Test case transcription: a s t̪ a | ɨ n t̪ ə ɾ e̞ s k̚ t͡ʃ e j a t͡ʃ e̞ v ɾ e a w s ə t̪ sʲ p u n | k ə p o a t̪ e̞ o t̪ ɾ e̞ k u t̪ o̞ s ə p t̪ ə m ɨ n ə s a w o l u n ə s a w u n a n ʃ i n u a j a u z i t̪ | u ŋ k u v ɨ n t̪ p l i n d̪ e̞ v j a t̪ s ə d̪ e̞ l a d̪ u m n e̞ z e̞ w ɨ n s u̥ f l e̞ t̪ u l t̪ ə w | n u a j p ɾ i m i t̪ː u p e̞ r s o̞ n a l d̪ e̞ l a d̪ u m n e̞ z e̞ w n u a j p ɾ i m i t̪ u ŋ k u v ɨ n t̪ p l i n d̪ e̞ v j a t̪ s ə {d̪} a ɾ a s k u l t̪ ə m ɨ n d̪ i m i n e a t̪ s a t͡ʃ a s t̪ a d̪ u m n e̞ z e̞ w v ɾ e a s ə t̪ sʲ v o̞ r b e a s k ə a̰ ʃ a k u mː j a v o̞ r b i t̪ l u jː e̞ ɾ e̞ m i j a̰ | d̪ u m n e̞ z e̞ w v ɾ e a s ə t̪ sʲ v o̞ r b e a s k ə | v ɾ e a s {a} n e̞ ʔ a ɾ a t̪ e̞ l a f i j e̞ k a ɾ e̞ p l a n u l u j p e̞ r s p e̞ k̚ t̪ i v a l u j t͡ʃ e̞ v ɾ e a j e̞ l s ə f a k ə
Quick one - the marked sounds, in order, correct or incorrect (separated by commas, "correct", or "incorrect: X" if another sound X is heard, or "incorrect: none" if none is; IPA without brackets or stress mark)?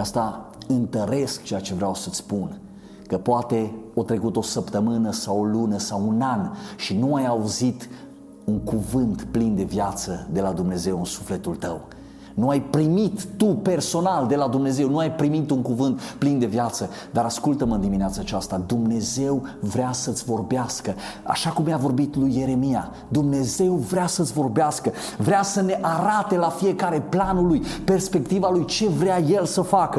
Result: correct, incorrect: ə